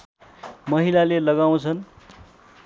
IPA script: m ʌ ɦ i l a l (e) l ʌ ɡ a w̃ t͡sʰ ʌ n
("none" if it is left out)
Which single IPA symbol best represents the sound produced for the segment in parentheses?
e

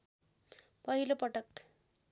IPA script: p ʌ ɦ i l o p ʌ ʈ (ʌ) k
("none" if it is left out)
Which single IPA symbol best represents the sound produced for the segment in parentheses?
ʌ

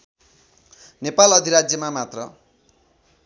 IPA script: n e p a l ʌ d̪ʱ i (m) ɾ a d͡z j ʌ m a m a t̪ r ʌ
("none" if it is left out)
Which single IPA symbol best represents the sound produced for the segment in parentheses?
none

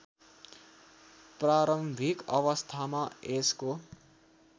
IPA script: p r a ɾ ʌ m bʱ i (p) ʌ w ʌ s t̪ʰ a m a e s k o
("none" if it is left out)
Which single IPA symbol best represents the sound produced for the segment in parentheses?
k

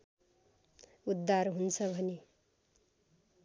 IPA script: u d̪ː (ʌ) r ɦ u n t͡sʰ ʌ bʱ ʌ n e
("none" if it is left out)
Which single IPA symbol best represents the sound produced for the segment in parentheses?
a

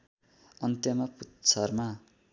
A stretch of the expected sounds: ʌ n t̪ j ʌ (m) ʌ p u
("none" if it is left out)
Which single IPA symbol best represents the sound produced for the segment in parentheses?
m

